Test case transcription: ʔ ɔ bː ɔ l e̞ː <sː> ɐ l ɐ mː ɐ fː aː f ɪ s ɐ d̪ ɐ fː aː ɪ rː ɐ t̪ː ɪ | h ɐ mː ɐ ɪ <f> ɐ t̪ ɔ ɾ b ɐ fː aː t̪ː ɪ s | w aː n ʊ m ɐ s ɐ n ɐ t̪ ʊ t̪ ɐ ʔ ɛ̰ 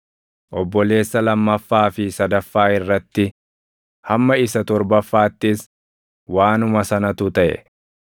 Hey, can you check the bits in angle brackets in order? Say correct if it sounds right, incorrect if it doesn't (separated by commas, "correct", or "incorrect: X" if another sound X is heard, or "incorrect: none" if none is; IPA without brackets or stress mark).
correct, incorrect: s